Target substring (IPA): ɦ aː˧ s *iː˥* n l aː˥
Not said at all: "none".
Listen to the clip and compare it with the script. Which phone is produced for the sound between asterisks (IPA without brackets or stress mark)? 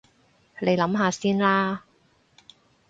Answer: iː˥